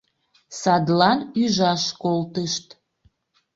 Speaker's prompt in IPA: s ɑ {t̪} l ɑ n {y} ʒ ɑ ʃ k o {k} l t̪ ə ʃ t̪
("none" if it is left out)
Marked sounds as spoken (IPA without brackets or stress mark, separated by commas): d̪, y, none